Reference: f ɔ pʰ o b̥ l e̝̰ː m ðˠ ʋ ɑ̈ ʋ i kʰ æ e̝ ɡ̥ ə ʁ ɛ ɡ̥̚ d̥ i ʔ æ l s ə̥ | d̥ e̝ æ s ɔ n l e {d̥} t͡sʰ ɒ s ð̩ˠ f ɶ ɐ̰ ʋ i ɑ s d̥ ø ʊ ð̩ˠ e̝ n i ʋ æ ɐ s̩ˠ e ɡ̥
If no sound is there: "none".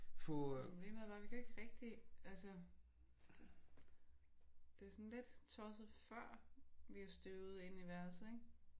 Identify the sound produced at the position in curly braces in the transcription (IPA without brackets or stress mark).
d̥